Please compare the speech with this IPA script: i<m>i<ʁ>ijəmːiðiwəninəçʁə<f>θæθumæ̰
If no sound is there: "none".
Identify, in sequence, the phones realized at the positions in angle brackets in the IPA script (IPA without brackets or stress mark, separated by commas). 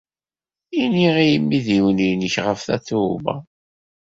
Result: n, ʁ, f